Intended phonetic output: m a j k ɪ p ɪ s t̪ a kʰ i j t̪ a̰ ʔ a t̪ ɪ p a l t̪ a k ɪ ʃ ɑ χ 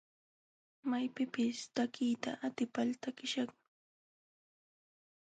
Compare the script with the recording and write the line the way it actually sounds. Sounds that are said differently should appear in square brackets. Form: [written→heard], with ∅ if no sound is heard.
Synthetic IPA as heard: m a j [k→p] ɪ p ɪ s t̪ a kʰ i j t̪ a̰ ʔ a t̪ ɪ p a l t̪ a k ɪ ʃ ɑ χ